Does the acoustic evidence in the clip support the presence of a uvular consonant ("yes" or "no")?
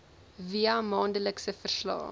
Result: no